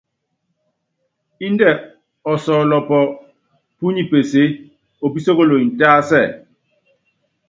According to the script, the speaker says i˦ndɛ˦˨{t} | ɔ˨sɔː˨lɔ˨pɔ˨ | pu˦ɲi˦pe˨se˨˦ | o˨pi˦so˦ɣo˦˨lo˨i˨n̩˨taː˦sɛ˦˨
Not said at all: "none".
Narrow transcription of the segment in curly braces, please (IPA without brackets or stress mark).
none